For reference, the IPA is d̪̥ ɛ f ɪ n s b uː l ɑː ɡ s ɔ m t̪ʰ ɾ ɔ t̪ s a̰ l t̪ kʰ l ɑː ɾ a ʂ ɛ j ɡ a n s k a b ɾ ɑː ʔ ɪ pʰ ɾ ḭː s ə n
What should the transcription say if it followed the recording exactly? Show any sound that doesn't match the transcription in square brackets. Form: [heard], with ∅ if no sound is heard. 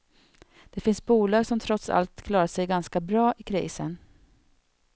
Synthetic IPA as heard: d̪̥ ɛ f ɪ n s b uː l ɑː ɡ s ɔ m t̪ʰ ɾ ɔ t̪ s a̰ l t̪ kʰ l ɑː ɾ a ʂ ɛ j ɡ a n s k a b ɾ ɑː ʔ ɪ [kʰ] ɾ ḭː s ə n